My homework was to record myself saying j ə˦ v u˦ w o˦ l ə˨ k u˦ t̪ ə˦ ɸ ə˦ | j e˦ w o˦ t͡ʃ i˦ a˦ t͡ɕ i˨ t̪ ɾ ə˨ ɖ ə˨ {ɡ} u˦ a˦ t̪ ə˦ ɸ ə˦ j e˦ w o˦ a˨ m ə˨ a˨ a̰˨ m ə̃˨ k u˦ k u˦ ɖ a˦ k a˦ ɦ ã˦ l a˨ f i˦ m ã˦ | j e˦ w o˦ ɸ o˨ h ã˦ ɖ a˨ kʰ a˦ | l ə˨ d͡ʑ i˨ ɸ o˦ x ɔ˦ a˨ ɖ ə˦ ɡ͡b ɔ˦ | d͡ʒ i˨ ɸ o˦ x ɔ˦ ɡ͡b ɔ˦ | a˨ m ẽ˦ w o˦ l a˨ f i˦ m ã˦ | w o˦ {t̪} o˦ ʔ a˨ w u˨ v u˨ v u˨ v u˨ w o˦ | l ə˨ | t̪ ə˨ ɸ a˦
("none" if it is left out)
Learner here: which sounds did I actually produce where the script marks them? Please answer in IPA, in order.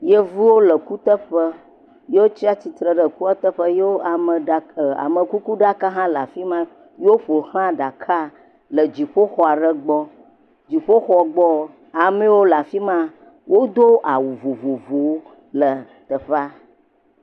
k, d̪

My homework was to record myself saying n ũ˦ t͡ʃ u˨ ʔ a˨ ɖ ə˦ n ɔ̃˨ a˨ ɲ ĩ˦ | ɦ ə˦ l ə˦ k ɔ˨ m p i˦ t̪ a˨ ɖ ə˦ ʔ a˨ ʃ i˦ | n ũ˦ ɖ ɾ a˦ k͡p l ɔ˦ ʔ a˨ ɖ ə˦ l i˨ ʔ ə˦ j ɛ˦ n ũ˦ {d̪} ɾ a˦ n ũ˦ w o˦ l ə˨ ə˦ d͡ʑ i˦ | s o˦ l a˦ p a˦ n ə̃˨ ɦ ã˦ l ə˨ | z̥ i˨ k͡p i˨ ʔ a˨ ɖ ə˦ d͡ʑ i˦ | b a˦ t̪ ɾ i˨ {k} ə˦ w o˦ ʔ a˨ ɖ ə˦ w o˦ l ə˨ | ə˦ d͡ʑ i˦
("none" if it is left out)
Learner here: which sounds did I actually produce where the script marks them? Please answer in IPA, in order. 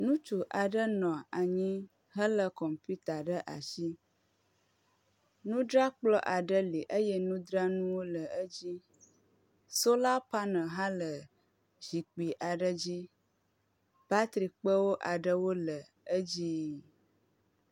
d̪, k͡p

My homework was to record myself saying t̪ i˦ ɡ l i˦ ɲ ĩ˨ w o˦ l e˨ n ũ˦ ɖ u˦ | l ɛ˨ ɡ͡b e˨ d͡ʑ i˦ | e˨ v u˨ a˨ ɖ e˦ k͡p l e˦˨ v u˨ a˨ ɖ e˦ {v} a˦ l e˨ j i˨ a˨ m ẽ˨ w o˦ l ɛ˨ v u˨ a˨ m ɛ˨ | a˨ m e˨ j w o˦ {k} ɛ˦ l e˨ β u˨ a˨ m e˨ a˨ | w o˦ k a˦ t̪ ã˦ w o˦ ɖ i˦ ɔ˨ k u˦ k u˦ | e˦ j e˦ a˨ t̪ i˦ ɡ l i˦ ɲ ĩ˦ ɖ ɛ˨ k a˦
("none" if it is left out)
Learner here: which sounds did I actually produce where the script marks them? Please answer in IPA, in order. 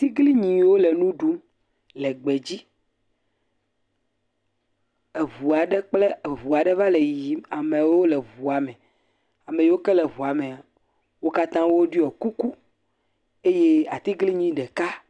v, k

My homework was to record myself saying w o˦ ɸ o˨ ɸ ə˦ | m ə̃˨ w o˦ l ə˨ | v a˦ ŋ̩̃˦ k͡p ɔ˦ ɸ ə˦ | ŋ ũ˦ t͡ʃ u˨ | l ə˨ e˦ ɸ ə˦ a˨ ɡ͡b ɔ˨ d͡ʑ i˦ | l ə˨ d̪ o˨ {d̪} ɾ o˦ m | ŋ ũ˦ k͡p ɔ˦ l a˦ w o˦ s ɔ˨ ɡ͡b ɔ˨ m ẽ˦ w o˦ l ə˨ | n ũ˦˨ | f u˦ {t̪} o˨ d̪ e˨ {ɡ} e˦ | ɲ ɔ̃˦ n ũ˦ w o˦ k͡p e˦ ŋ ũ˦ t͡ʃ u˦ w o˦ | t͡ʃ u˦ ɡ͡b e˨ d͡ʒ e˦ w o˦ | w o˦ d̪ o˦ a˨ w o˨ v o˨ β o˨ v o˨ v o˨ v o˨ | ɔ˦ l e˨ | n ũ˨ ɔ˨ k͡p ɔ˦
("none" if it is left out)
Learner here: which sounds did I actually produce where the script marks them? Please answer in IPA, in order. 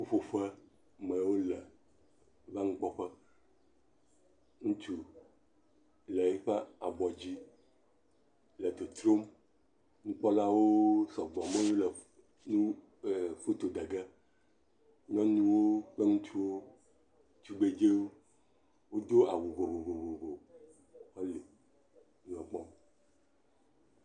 t̪, t̪, ɡ

